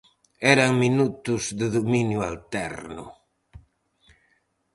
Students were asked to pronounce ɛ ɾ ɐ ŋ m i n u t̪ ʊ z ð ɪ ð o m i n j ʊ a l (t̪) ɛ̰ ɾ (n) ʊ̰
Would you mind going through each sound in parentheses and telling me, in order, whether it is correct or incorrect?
correct, correct

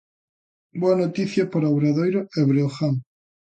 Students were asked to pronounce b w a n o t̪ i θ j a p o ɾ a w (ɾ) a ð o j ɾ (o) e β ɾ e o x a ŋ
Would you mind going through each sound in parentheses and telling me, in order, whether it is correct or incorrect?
correct, correct

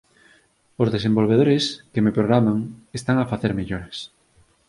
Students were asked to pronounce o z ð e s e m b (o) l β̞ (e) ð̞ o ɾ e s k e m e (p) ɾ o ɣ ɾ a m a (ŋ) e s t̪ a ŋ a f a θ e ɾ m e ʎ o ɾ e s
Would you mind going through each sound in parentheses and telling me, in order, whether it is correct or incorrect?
correct, correct, correct, correct

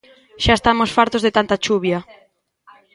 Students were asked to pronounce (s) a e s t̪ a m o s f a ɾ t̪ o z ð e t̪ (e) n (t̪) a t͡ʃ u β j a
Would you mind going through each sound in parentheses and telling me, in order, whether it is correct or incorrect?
incorrect, incorrect, correct

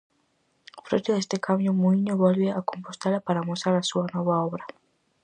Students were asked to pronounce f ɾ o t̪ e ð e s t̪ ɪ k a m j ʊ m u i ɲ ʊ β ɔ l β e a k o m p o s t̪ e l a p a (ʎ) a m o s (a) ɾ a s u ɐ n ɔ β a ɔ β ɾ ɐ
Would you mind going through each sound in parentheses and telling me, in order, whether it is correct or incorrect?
incorrect, correct

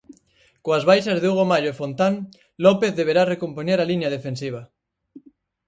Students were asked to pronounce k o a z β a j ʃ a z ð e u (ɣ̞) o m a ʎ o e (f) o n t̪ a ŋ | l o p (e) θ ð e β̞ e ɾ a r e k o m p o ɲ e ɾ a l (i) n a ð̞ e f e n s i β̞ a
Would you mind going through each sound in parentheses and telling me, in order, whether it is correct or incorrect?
correct, correct, correct, correct

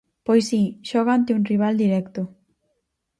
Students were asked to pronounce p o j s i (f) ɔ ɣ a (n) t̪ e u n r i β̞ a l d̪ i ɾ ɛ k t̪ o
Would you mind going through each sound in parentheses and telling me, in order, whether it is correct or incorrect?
incorrect, correct

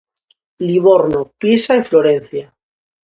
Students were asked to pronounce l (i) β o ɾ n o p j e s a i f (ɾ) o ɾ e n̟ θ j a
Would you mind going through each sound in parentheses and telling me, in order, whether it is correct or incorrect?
correct, incorrect

